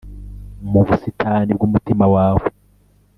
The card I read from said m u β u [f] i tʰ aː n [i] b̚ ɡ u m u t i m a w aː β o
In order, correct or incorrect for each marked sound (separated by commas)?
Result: incorrect, correct